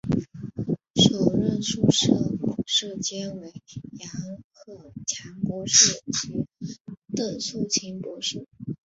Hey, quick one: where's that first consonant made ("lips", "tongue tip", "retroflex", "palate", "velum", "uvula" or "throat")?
retroflex